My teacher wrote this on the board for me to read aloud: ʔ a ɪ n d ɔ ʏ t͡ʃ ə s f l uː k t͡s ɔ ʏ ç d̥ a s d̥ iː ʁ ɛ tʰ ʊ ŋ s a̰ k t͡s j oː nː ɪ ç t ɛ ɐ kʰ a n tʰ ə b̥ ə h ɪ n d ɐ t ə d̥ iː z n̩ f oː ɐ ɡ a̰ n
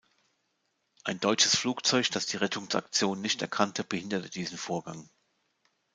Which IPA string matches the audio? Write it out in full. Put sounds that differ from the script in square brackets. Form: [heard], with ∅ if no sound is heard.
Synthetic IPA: ʔ a ɪ n d ɔ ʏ t͡ʃ ə s f l uː k t͡s ɔ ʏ ç d̥ a s d̥ iː ʁ ɛ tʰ ʊ ŋ s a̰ k t͡s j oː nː ɪ ç t ɛ ɐ kʰ a n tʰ ə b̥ ə h ɪ n d ɐ t ə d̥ iː z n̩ f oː ɐ ɡ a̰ [ŋ]